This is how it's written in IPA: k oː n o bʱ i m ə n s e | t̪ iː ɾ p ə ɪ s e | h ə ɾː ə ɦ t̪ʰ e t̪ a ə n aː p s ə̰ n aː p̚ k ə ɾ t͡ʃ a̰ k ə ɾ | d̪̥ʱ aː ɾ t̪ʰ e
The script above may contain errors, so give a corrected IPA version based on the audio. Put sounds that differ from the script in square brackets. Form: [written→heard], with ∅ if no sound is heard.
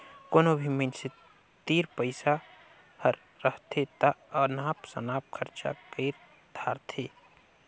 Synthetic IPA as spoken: k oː n o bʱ i m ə n s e | t̪ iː ɾ p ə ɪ s [e→a] | h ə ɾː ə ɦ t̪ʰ e t̪ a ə n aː p s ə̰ n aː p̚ [k→kʰ] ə ɾ t͡ʃ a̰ k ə ɾ | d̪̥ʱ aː ɾ t̪ʰ e